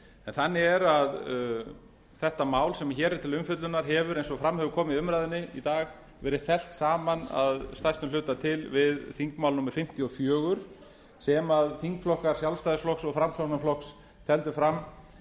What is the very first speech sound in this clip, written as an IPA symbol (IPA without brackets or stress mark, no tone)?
ɛ